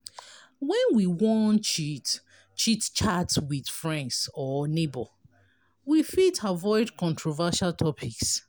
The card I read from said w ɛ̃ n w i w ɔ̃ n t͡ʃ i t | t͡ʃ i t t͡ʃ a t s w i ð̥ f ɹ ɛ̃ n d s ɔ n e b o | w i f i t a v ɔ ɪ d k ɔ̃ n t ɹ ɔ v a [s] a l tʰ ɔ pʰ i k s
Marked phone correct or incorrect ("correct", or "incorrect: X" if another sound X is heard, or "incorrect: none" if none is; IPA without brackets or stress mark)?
incorrect: ʃ